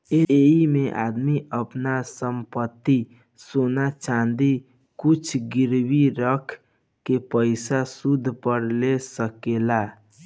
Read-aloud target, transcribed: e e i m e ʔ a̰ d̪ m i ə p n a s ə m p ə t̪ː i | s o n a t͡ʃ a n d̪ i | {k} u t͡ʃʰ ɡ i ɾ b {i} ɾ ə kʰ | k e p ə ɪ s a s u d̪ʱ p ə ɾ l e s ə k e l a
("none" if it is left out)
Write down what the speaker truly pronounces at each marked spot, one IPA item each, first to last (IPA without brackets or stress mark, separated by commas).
k, i